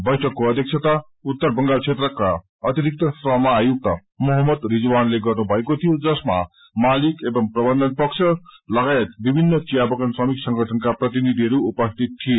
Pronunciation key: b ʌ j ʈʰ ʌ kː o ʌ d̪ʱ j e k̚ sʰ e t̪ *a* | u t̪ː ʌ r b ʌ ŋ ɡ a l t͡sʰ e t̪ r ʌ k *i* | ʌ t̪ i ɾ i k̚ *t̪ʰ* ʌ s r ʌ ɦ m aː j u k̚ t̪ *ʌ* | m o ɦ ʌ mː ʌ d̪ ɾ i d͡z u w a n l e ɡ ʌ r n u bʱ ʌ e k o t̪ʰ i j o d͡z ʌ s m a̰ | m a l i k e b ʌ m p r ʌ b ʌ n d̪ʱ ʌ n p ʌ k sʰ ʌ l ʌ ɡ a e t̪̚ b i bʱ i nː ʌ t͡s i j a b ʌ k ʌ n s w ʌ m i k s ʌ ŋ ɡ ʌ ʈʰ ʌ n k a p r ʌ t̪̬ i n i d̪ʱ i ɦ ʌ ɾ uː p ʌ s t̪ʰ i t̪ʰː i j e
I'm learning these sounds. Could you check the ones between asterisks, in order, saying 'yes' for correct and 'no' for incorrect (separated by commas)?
yes, no, no, yes